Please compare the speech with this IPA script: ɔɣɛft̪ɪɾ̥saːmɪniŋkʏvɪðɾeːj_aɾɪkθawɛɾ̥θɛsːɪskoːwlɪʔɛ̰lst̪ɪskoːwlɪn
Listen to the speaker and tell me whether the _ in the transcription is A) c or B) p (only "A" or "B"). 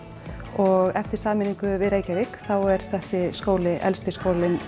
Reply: A